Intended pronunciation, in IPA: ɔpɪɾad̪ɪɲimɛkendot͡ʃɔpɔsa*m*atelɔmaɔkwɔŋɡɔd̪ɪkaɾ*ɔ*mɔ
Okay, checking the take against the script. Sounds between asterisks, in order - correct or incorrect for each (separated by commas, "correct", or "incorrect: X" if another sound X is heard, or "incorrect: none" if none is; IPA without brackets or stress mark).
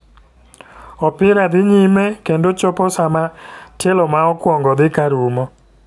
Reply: correct, incorrect: u